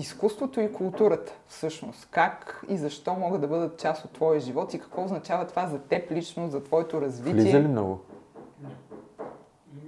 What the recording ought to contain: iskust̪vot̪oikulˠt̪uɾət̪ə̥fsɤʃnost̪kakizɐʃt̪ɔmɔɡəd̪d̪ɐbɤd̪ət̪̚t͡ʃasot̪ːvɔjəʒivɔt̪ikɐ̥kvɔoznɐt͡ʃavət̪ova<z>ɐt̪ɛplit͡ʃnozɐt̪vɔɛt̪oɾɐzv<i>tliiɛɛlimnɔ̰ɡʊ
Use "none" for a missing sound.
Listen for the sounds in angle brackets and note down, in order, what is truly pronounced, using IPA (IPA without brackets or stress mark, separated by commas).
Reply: z, i